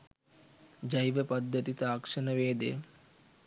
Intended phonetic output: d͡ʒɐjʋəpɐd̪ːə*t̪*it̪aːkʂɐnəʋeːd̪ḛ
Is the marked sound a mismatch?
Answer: no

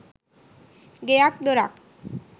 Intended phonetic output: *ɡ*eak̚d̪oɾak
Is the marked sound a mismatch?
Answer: no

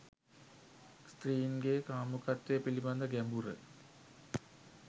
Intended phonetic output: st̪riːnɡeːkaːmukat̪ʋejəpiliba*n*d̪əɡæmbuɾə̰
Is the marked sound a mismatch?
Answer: no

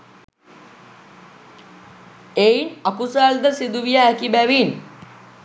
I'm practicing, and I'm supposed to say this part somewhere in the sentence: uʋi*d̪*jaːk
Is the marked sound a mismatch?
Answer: yes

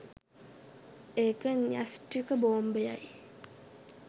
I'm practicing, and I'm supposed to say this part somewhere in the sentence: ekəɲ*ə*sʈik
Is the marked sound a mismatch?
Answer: yes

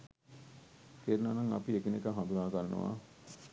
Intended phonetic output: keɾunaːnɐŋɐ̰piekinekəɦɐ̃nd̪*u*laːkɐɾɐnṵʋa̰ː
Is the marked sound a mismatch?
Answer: no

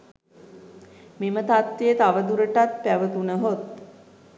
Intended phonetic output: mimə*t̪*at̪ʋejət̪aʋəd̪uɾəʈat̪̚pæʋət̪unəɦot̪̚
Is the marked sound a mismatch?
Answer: no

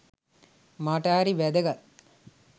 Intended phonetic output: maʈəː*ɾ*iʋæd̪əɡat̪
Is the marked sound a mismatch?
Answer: no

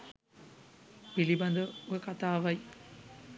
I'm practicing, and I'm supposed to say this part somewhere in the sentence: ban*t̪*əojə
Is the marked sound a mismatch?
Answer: yes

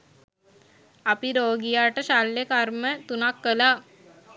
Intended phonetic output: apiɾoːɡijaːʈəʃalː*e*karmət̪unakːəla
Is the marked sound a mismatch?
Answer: no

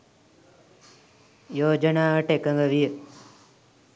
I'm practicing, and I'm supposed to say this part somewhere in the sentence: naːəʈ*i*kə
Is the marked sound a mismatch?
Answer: yes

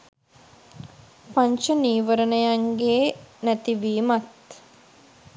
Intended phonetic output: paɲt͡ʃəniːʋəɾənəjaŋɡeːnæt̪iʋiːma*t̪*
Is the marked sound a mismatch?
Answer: no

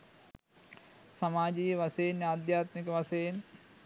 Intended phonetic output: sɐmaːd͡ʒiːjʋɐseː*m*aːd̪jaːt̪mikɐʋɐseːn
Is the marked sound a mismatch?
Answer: yes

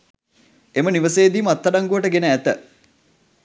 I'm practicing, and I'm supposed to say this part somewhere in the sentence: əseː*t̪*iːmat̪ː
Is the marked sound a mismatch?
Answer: yes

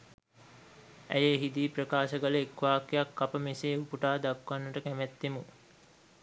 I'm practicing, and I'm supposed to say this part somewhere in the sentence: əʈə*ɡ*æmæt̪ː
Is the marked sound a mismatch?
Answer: yes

